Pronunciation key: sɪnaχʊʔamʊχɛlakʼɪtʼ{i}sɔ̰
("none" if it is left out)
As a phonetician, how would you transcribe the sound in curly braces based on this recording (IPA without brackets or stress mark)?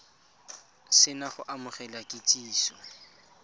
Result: iː